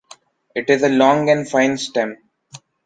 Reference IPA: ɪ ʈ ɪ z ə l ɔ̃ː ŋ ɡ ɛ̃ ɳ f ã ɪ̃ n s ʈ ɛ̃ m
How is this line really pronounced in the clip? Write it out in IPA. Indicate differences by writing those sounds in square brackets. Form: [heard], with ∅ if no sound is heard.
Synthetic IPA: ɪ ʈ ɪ z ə l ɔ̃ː ŋ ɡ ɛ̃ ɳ f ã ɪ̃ n s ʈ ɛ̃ m